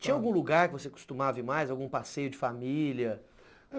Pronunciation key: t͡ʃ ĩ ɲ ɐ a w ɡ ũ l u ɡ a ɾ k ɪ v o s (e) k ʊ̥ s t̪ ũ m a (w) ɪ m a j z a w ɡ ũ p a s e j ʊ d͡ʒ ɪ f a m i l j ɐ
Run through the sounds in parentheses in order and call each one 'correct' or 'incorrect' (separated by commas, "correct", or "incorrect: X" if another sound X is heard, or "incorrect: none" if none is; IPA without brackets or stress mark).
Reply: correct, incorrect: v